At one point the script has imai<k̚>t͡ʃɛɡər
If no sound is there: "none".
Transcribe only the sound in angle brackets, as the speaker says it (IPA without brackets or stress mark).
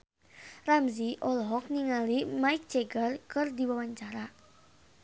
k̚